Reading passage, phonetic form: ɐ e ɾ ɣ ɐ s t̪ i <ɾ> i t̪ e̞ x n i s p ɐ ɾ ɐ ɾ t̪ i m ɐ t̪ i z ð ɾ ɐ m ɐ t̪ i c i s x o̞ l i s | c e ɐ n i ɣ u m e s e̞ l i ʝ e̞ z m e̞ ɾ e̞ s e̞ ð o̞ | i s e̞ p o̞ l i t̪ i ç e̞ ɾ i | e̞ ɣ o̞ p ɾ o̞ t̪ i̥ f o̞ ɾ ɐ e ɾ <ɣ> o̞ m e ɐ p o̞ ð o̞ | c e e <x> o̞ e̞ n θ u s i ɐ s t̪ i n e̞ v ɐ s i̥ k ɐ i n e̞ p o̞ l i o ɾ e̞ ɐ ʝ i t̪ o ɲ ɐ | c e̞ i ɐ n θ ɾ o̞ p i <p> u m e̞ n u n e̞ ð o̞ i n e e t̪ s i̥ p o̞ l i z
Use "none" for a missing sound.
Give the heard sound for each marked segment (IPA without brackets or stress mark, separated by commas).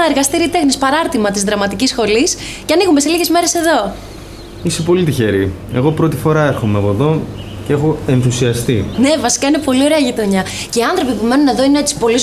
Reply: ɾ, x, x, p